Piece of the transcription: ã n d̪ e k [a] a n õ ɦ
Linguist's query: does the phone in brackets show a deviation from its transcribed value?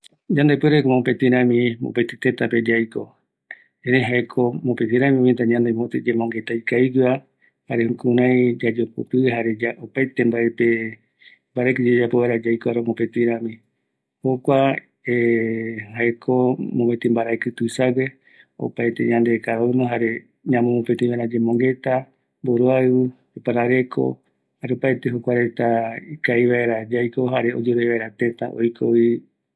no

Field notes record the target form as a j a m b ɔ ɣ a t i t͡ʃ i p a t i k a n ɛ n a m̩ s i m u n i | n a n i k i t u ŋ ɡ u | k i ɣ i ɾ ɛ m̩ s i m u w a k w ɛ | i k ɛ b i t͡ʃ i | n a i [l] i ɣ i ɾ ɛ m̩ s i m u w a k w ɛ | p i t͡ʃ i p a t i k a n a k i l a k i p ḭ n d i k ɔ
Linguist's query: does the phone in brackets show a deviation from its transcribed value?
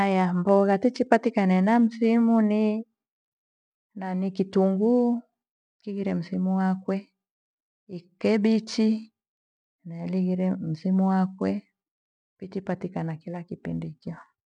no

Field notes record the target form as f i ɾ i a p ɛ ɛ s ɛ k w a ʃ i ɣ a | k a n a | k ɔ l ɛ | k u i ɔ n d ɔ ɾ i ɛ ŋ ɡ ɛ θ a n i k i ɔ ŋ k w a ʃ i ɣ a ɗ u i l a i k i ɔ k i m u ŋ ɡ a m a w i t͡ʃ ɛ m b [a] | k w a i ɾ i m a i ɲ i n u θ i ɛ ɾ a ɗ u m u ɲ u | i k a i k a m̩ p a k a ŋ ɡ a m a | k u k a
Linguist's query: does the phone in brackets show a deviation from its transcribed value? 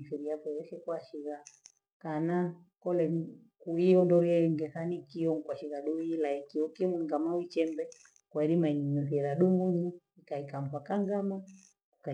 yes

